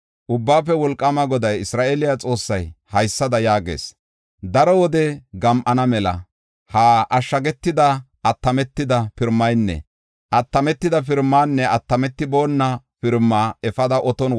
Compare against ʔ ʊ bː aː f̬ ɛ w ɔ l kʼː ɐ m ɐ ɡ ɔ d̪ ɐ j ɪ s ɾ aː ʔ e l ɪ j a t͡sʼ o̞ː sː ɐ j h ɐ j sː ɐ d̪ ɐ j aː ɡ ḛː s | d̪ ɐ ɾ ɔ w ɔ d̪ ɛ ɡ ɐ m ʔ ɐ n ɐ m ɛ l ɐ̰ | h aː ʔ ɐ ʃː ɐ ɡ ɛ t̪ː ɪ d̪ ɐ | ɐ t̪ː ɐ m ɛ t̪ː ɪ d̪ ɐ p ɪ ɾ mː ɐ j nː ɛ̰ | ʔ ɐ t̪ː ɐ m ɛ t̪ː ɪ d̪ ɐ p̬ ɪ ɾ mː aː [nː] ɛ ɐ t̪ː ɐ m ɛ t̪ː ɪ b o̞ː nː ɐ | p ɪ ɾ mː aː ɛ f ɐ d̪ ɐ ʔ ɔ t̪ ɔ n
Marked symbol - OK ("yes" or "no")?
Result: yes